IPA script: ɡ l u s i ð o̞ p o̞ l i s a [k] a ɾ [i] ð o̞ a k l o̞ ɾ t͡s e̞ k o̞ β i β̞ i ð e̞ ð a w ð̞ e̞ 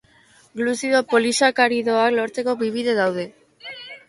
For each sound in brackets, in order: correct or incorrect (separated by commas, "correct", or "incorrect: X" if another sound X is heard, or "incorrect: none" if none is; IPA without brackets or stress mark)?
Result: correct, correct